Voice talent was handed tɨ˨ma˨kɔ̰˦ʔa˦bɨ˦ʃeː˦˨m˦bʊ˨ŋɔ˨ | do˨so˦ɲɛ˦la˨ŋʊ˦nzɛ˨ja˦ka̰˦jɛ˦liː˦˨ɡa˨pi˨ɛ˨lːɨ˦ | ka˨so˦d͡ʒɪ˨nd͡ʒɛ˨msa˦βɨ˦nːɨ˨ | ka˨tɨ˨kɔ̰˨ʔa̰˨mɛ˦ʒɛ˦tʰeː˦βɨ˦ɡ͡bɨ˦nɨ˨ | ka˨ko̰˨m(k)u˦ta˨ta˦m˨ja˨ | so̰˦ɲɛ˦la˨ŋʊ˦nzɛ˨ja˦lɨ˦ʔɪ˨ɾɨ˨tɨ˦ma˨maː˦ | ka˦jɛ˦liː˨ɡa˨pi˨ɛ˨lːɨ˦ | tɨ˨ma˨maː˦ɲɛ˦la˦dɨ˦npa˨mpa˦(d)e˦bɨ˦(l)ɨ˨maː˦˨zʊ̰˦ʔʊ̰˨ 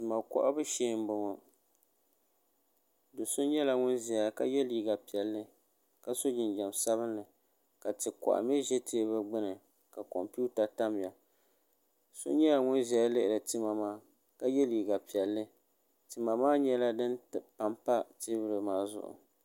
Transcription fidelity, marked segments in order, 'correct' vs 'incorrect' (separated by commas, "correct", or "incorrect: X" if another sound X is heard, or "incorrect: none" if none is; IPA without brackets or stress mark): incorrect: p, incorrect: t, incorrect: ɾ